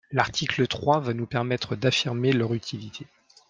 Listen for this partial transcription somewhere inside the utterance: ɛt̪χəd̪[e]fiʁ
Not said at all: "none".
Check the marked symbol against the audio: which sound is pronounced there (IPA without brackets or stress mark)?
a